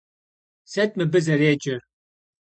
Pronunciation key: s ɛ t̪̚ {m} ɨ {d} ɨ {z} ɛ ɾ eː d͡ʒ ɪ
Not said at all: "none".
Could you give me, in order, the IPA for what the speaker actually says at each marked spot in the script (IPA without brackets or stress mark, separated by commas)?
m, b, z